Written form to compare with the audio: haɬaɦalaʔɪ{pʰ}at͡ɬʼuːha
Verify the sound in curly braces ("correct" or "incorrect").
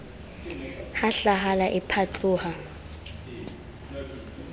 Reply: correct